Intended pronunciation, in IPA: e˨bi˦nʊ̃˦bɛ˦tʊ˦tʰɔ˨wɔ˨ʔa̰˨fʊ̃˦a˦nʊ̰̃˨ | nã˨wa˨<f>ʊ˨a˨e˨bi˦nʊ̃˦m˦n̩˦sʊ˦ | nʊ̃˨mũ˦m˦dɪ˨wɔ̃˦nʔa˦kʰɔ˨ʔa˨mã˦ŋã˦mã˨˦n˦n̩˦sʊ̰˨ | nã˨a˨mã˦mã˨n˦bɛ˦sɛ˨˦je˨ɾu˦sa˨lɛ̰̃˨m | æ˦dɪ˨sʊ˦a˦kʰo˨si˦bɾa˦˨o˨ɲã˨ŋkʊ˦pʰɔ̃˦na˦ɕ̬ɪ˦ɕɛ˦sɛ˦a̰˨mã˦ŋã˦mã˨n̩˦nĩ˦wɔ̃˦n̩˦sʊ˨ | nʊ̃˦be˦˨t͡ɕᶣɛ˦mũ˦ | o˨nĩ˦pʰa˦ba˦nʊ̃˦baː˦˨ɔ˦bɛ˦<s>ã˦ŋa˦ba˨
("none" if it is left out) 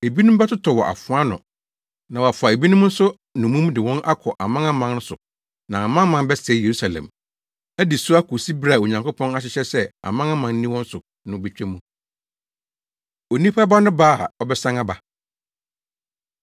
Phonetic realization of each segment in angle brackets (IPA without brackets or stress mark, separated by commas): f, s